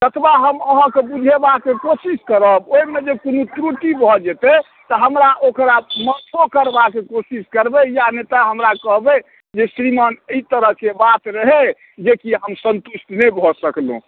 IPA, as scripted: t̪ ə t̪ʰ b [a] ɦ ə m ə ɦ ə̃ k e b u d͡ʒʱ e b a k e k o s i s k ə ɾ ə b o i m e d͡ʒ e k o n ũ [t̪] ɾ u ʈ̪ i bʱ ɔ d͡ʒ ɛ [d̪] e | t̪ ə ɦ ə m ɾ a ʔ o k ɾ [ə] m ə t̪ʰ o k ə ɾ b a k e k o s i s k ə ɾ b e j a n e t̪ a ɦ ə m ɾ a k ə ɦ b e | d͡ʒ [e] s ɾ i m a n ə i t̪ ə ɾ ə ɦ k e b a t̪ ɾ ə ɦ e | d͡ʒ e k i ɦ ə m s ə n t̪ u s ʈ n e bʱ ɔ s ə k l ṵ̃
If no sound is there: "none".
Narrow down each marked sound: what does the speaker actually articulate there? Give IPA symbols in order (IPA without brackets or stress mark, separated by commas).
a, t̪, t̪, a, e